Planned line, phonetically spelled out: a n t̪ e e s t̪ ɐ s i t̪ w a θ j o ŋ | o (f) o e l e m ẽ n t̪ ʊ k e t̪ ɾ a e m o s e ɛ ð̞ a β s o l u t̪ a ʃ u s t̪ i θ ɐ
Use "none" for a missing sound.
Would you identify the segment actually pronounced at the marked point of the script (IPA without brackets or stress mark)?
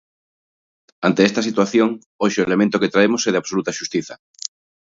ʃ